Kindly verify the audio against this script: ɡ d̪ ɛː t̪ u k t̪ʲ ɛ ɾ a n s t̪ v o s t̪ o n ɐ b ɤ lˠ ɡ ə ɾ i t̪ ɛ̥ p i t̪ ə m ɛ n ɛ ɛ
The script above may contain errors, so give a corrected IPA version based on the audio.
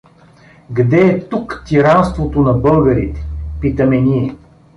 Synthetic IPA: ɡ d̪ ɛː t̪ u k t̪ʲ i ɾ a n s t̪ v o t̪ o n ɐ b ɤ lˠ ɡ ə ɾ i t̪ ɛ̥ p i t̪ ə m ɛ n i ɛ

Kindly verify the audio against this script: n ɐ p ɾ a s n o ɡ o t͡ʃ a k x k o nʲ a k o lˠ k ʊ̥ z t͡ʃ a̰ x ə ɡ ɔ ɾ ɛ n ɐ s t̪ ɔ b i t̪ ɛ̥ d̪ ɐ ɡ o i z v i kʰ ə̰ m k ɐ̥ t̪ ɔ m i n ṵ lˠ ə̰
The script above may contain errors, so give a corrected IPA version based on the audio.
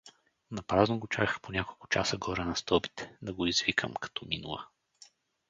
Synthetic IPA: n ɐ p ɾ a z n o ɡ o t͡ʃ a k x p o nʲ a k o lˠ k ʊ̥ t͡ʃ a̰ s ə ɡ ɔ ɾ ɛ n ɐ s t̪ ɔ b i t̪ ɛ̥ d̪ ɐ ɡ o i z v i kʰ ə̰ m k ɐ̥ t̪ ɔ m i n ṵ lˠ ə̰

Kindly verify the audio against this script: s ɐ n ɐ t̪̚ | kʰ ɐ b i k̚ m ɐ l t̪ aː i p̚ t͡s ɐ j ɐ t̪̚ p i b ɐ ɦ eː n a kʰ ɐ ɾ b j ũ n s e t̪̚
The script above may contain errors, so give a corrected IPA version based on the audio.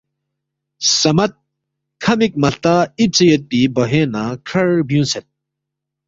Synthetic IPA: s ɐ m ɐ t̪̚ | kʰ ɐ m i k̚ m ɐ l t̪ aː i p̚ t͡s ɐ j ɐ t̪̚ p i b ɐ ɦ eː n a kʰ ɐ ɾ b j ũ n s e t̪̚

